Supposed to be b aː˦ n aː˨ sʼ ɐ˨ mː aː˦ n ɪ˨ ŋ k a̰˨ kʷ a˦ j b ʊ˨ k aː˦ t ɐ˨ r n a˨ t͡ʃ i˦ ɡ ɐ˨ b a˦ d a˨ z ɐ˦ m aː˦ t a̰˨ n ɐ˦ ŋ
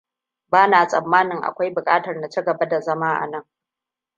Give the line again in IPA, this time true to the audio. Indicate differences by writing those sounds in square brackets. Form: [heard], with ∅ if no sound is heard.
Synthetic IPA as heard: b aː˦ n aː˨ sʼ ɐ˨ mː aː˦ n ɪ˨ ŋ [ʔ] a̰˨ kʷ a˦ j b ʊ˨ [kʼ] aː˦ t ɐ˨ r n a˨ t͡ʃ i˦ ɡ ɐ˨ b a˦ d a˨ z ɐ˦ m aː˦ [ʔ] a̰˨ n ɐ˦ ŋ

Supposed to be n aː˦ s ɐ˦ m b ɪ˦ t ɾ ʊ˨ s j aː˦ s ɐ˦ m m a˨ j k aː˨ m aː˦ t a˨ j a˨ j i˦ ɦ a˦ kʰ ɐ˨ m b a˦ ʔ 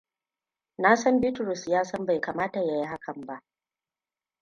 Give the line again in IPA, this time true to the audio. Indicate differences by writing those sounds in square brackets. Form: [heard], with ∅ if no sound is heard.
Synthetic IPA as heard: n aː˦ s ɐ˦ m b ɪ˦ t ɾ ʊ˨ s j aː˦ s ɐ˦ m [b] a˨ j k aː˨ m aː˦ t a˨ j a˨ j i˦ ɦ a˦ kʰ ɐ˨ m b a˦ ʔ

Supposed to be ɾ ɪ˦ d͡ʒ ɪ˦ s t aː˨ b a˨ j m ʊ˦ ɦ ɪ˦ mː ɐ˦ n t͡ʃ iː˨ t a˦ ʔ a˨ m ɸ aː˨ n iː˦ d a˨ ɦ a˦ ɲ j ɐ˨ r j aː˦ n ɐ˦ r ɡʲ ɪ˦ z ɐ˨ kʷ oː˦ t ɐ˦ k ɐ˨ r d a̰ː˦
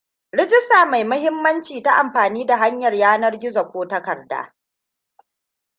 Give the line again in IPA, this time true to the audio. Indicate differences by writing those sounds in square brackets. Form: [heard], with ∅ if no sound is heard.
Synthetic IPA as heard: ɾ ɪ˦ d͡ʒ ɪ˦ s t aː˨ [m] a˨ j m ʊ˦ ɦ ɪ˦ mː ɐ˦ n t͡ʃ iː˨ t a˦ ʔ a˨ m ɸ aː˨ n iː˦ d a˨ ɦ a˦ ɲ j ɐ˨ r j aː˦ n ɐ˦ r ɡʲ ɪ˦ z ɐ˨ kʷ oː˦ t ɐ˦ k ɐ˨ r d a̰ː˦

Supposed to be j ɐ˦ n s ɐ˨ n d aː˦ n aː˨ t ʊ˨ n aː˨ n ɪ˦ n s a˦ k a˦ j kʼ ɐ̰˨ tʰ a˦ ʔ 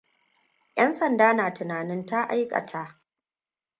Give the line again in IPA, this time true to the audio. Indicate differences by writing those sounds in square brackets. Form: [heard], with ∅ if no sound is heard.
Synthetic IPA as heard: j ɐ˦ n s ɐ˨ n d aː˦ n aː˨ t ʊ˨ n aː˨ n ɪ˦ n [t] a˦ [ʔ] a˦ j kʼ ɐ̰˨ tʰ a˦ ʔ

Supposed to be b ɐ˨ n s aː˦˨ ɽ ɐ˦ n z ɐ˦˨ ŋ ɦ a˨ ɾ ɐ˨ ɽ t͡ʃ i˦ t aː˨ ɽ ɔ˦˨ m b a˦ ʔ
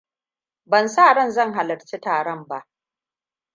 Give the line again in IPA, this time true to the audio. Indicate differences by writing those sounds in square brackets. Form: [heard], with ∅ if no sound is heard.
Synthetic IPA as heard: b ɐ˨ n s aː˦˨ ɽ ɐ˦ n z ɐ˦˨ ŋ ɦ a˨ [l] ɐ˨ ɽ t͡ʃ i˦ t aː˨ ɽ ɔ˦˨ m b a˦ ʔ

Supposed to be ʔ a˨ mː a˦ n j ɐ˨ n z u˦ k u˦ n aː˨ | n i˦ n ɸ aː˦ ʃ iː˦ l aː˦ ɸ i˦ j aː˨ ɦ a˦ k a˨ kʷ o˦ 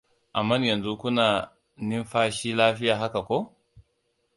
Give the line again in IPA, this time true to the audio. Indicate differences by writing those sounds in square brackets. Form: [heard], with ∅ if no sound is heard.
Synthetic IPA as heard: ʔ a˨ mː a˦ n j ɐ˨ n z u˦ k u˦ n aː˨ | n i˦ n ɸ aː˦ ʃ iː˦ l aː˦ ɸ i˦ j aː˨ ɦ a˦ k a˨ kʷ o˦

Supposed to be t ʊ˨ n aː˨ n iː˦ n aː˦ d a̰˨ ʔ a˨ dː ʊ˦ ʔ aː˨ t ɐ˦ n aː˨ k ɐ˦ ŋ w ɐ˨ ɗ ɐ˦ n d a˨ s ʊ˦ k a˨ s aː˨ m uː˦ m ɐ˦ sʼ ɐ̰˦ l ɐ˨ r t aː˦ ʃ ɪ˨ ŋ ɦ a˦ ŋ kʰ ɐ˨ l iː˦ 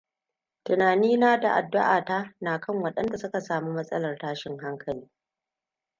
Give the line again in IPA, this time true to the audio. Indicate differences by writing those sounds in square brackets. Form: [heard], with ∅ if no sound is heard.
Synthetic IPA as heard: t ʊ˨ n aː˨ n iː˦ n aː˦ d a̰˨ ʔ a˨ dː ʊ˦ ʔ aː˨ t [a˦] n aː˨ k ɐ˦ ŋ w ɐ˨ ɗ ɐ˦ n d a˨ s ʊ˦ k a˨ s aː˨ m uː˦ m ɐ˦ sʼ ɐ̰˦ l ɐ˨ r t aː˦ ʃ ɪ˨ ŋ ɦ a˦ ŋ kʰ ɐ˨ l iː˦

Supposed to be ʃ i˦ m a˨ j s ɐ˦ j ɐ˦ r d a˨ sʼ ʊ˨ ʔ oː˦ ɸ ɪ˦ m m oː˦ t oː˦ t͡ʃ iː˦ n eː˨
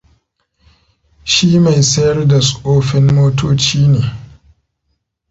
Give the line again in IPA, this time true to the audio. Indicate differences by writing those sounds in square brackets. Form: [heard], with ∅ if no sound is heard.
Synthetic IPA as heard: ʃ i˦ m a˨ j s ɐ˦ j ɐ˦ r d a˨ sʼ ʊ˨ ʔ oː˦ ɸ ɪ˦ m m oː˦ t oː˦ t͡ʃ iː˦ n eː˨

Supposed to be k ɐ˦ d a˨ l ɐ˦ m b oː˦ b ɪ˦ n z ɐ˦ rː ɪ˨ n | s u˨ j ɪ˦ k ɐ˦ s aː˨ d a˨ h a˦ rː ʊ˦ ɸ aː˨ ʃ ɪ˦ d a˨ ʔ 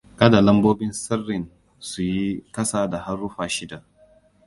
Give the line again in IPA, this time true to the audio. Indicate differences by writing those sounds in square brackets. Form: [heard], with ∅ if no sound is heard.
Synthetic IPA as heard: k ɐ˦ d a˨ l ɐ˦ m b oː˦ b ɪ˦ n [s] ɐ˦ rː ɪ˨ n | s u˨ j [i˦] k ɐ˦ s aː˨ d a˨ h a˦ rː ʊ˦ ɸ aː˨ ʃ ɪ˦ d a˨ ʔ

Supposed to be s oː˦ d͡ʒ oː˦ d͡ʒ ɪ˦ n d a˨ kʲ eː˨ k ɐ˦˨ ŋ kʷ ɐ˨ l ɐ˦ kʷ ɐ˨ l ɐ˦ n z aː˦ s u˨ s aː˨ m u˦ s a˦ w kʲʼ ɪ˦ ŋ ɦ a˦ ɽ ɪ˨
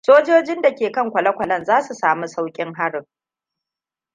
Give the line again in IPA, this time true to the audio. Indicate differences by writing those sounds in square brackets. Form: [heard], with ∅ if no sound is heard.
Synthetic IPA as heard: s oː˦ d͡ʒ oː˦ d͡ʒ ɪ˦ n d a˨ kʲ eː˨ k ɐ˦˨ ŋ kʷ ɐ˨ l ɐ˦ kʷ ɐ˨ l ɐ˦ n z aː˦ s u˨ s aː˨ m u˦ s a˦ w kʲʼ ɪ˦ ŋ ɦ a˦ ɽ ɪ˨

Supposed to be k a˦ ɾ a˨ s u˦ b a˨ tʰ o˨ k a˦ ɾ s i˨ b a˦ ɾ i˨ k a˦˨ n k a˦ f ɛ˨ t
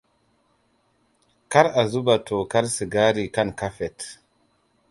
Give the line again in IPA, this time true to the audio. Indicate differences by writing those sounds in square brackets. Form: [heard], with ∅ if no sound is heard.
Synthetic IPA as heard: k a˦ ɾ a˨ [z] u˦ b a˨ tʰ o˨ k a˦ ɾ s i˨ [ɡ] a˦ ɾ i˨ k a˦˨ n k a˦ f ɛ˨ t

